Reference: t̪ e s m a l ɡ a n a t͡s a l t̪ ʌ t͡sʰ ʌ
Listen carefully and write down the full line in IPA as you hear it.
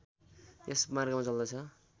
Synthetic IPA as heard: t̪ e s m a r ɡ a m a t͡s ʌ l d̪ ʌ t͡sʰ ʌ